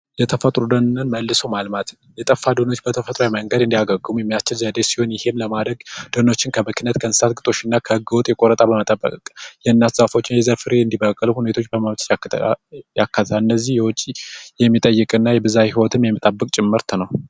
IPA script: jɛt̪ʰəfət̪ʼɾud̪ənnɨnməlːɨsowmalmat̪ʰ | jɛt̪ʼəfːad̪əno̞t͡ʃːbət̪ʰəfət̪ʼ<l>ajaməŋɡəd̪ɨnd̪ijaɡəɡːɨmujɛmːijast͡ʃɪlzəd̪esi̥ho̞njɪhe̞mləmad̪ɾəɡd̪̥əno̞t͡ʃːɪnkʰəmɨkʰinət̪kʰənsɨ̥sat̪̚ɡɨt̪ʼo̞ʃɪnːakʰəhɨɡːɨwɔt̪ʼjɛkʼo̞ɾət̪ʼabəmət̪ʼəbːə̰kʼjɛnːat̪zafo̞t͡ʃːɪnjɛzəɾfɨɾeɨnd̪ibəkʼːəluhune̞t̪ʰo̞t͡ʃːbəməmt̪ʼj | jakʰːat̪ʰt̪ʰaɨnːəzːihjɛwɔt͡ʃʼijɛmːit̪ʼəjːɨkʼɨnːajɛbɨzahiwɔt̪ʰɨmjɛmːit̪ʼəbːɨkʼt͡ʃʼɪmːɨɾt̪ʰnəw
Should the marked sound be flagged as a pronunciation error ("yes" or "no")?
yes